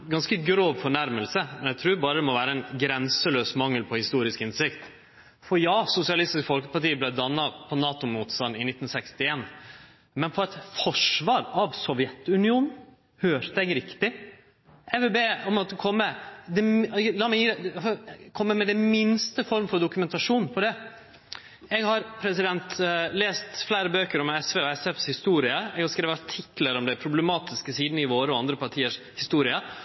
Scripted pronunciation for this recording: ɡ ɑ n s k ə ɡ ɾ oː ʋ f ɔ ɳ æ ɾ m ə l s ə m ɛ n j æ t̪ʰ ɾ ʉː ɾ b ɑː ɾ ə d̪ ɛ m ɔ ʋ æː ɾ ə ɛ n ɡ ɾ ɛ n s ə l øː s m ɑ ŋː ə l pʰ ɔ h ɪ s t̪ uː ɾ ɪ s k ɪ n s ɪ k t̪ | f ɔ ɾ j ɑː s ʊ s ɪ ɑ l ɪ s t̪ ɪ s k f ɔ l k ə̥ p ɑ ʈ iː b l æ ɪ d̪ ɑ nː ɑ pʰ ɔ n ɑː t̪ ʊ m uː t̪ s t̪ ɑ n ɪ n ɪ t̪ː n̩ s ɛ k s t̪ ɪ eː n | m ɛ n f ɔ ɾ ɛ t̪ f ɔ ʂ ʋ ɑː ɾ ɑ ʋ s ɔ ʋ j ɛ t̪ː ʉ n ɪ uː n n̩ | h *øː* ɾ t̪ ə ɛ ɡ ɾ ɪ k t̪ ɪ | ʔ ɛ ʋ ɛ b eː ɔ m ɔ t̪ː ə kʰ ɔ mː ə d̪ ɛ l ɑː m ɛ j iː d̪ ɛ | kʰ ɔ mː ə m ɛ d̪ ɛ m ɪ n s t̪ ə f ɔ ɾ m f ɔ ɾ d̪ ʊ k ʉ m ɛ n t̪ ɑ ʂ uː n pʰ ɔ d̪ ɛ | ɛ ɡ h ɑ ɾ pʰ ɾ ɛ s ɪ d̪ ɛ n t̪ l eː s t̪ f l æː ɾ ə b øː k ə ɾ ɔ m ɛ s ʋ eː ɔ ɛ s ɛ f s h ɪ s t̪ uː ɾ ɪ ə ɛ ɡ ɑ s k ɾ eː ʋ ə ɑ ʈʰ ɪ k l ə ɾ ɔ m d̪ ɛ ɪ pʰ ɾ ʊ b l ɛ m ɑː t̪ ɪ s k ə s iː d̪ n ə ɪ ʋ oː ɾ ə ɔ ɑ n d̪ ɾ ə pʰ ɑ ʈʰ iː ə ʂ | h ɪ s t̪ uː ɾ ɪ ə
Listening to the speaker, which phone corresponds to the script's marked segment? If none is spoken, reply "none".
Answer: øː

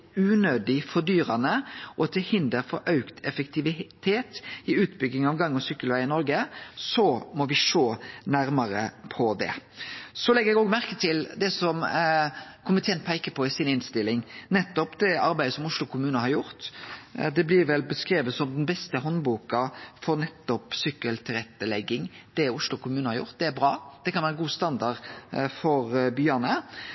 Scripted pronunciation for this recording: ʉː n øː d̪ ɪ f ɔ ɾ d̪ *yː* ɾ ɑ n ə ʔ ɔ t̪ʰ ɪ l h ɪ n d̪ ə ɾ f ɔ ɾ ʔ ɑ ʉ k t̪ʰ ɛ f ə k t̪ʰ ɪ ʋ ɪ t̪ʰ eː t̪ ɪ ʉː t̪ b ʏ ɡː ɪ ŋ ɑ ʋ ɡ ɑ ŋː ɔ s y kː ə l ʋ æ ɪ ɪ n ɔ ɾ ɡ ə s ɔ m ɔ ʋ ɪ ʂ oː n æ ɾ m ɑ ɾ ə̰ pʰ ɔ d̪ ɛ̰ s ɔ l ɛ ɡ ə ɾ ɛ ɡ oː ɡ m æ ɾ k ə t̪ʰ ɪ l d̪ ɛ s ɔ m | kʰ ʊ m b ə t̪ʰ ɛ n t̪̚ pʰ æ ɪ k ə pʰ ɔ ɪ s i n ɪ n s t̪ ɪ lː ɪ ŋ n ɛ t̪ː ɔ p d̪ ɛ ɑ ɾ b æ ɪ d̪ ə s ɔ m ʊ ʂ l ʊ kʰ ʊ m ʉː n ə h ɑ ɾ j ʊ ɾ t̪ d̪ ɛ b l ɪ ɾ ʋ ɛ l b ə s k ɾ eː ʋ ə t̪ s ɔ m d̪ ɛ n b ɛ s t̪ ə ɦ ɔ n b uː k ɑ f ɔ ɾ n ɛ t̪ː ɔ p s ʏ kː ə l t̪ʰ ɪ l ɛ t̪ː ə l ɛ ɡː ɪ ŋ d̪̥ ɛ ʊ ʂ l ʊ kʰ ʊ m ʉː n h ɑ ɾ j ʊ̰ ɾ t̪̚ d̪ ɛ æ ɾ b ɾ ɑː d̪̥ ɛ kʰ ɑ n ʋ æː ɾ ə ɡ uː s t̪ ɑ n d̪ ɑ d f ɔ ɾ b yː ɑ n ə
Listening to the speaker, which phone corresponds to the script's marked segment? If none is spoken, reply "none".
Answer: yː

